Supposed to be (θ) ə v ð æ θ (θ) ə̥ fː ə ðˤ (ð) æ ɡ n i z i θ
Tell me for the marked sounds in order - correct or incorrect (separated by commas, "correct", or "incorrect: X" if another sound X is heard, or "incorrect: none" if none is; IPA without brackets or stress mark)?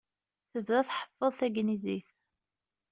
correct, incorrect: ħ, incorrect: θ